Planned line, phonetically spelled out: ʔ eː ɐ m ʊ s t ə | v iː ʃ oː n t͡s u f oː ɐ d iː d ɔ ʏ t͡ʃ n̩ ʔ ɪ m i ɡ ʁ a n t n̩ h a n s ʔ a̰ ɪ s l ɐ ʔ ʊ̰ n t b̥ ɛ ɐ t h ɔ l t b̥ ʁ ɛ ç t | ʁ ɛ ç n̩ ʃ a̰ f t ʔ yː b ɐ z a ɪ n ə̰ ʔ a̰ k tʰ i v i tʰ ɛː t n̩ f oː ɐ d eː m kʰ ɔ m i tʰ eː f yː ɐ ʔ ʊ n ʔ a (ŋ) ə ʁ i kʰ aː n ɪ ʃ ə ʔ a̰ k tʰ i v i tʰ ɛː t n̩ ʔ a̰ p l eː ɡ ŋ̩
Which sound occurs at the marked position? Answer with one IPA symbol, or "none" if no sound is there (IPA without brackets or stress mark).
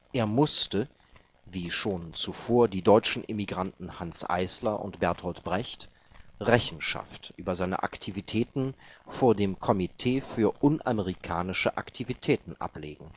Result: m